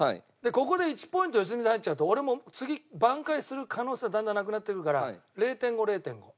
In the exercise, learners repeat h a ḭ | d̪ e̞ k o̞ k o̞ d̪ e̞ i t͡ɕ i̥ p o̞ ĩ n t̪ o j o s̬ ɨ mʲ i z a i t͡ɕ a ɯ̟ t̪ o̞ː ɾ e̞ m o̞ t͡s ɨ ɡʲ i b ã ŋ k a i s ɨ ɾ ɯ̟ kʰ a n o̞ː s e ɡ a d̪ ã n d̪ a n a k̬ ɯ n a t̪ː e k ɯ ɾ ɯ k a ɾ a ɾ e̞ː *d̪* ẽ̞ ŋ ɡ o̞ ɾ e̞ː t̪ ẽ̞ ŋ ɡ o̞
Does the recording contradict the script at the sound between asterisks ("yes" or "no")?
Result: yes